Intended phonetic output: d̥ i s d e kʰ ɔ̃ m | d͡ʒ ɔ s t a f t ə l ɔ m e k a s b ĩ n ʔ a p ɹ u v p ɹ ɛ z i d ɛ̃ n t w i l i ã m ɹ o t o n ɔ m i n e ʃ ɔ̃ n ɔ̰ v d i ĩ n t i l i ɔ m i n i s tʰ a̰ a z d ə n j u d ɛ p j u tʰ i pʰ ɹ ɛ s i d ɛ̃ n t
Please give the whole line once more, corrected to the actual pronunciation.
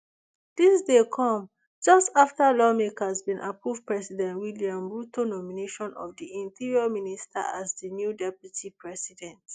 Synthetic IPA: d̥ i s d e kʰ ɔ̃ m | d͡ʒ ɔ s t a f t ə l ɔ m e k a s b ĩ n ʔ a p ɹ u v p ɹ ɛ s i d ɛ̃ n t w i l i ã m ɹ u t o n ɔ m i n e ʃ ɔ̃ n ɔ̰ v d i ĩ n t i ɹ i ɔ m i n i s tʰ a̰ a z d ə n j u d ɛ p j u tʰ i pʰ ɹ ɛ s i d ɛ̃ n t